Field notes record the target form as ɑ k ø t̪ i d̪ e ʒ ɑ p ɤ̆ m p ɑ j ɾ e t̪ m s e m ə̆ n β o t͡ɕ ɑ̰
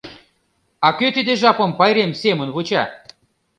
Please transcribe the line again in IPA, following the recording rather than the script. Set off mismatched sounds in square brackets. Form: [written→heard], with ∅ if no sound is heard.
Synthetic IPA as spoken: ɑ k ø t̪ i d̪ e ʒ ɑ p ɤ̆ m p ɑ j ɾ e [t̪→∅] m s e m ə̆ n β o t͡ɕ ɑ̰